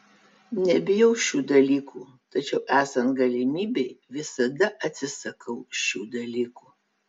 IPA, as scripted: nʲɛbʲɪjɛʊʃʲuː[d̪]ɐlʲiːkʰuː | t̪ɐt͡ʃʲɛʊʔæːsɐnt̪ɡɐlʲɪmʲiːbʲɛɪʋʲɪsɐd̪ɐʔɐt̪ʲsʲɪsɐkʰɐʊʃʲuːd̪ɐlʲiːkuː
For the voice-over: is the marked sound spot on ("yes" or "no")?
yes